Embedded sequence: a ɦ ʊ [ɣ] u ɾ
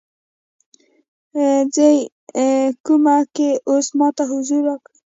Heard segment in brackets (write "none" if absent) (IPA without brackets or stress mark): z